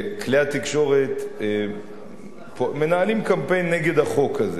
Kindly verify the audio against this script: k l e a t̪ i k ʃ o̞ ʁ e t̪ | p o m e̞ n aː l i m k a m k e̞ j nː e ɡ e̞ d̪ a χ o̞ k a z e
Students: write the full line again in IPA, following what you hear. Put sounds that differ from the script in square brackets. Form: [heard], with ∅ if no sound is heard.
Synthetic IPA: k l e a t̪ i k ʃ o̞ ʁ e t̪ | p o m e̞ n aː l i m k a m [p] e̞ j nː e ɡ e̞ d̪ a χ o̞ k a z e